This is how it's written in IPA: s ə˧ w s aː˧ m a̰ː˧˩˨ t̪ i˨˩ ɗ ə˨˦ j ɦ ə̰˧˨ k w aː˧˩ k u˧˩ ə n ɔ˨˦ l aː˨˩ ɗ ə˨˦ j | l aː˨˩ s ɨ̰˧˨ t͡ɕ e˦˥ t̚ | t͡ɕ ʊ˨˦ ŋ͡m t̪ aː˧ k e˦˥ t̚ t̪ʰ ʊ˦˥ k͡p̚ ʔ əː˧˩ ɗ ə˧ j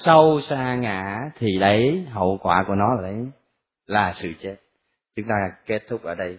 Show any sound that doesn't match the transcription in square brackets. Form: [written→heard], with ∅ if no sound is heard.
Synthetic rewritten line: s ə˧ w s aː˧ [m→ŋ] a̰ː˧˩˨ [t̪→t̪ʰ] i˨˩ ɗ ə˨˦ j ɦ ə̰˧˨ k w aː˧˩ k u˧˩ ə n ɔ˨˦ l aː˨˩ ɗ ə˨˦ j | l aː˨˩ s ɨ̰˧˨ t͡ɕ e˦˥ t̚ | t͡ɕ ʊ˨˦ ŋ͡m t̪ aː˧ k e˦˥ t̚ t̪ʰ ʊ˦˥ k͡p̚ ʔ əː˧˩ ɗ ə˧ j